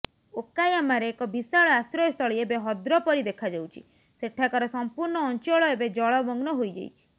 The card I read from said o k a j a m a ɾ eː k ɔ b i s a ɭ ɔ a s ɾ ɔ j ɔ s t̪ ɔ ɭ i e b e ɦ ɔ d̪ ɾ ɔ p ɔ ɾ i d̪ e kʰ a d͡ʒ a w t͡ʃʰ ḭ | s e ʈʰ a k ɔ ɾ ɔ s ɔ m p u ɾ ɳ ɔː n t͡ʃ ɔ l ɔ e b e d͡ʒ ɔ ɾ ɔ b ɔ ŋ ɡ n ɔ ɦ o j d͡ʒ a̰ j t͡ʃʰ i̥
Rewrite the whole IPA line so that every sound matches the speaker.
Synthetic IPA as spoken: o k a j a m a ɾ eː k ɔ b i s a ɭ ɔ a s ɾ ɔ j ɔ s t̪ ɔ ɭ i e b e ɦ ɔ d̪ ɾ ɔ p ɔ ɾ i d̪ e kʰ a d͡ʒ a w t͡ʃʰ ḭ | s e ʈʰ a k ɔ ɾ ɔ s ɔ m p u ɾ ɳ ɔː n t͡ʃ ɔ ɭ ɔ e b e d͡ʒ ɔ ɭ ɔ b ɔ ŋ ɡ n ɔ ɦ o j d͡ʒ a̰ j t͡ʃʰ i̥

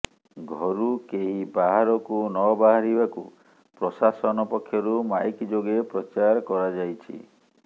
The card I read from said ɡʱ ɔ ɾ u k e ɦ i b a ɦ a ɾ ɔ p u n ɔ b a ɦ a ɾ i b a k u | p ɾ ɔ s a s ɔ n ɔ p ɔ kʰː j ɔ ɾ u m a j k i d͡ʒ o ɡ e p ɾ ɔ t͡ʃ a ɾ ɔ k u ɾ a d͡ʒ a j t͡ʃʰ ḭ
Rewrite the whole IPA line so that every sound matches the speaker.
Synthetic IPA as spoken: ɡʱ ɔ ɾ u k e ɦ i b a ɦ a ɾ ɔ k u n ɔ b a ɦ a ɾ i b a k u | p ɾ ɔ s a s ɔ n ɔ p ɔ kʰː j ɔ ɾ u m a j k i d͡ʒ o ɡ e p ɾ ɔ t͡ʃ a ɾ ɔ k ɔ ɾ a d͡ʒ a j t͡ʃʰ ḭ

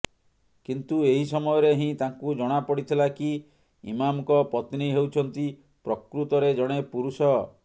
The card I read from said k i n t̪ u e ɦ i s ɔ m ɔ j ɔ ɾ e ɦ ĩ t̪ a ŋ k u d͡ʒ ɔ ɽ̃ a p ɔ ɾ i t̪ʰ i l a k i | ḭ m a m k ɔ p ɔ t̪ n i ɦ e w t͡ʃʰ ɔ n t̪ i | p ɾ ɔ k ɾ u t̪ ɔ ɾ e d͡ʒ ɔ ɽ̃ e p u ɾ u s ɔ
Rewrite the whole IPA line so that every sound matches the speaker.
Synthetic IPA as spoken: k i n t̪ u e ɦ i s ɔ m ɔ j ɔ ɾ e ɦ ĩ t̪ a ŋ k u d͡ʒ ɔ ɽ̃ a p ɔ ɽ i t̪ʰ i l a k i | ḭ m a m k ɔ p ɔ t̪ n i ɦ e w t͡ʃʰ ɔ n t̪ i | p ɾ ɔ k ɾ u t̪ ɔ ɾ e d͡ʒ ɔ ɽ̃ e p u ɾ u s ɔ

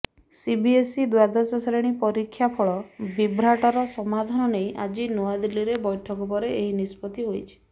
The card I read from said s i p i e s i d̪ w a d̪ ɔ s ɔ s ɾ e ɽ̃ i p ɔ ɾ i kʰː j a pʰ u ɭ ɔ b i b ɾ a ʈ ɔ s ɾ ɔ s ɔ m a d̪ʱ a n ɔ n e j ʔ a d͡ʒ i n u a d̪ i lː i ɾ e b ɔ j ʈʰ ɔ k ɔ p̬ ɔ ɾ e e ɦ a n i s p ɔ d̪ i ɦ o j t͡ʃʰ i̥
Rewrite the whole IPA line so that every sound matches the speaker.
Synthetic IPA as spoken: s i b i e s i d̪ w a d̪ ɔ s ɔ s ɾ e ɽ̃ i p ɔ ɾ i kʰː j a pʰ ɔ ɭ ɔ b i b ɾ a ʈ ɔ ɾ ɔ s ɔ m a d̪ʱ a n ɔ n e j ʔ a d͡ʒ i n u a d̪ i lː i ɾ e b ɔ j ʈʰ ɔ k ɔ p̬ ɔ ɾ e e ɦ i n i s p ɔ t̪ i ɦ o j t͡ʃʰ i̥

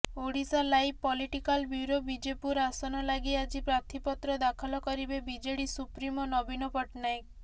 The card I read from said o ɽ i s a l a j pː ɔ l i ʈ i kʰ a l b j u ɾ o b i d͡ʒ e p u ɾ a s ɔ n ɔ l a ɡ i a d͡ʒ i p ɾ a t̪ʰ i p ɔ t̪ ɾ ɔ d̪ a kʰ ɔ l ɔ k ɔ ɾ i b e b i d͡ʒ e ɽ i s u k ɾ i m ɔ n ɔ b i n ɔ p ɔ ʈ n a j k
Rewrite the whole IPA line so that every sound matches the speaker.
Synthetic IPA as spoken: o ɽ i s a l a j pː ɔ l i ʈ i k a l b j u ɾ o b i d͡ʒ e p u ɾ a s ɔ n ɔ l a ɡ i a d͡ʒ i p ɾ a t̪ʰ i p ɔ t̪ ɾ ɔ d̪ a kʰ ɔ l ɔ k ɔ ɾ i b e b i d͡ʒ e ɽ i s u p ɾ i m ɔ n ɔ b i n ɔ p ɔ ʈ n a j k

